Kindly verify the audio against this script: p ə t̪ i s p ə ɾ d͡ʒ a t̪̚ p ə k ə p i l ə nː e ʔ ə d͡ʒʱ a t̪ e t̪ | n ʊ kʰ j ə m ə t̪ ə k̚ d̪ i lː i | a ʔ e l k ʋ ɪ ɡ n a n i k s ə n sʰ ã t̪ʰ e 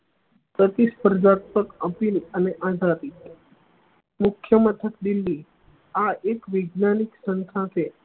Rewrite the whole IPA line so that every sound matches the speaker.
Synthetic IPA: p ə t̪ i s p ə ɾ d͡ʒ a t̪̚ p ə k ə p i l ə n e ʔ a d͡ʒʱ a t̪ i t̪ | m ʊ kʰ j ə m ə t̪ʰ ə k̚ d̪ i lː i | a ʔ e k ʋ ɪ ɡ n a n i k s ə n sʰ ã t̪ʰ e

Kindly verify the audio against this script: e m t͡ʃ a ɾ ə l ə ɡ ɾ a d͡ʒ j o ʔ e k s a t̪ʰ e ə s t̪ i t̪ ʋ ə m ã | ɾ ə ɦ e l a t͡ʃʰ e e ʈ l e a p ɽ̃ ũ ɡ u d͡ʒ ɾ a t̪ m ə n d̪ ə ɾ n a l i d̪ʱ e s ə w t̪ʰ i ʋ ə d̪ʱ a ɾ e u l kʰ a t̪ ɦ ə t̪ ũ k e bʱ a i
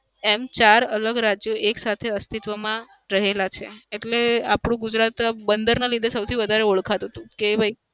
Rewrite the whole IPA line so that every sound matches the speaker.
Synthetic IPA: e m t͡ʃ a ɾ ə l ə ɡ ɾ a d͡ʒ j o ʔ e k s a t̪ʰ e ə s t̪ i t̪ ʋ ə m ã | ɾ ə ɦ e l a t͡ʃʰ e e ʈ l e a p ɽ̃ ũ ɡ u d͡ʒ ɾ a t̪ b ə n d̪ ə ɾ n a l i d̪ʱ e s ə w t̪ʰ i ʋ ə d̪ʱ a ɾ e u ɭ kʰ a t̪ ɦ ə t̪ ũ k e bʱ a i

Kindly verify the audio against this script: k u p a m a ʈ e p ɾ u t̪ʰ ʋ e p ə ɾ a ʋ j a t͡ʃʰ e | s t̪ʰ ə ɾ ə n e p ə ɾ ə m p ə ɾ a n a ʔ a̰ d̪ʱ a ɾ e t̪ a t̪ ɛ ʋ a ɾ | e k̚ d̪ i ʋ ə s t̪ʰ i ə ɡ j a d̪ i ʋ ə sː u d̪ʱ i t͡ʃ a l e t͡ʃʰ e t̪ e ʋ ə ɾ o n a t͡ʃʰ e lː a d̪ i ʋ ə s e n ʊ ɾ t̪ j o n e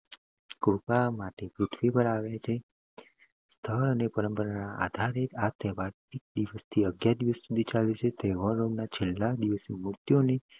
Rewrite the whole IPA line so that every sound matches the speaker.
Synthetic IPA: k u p a m a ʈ e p ɾ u t̪ʰ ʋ i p ə ɾ a ʋ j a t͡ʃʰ e | s t̪ʰ ə ɾ ə n e p ə ɾ ə m p ə ɾ a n a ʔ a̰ d̪ʱ a ɾ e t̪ a t̪ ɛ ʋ a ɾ | e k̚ d̪ i ʋ ə s t̪ʰ i ə ɡ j a d̪ i ʋ ə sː u d̪ʱ i t͡ʃ a l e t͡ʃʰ e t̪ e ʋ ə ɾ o n a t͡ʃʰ e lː a d̪ i ʋ ə s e m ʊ ɾ t̪ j o n e

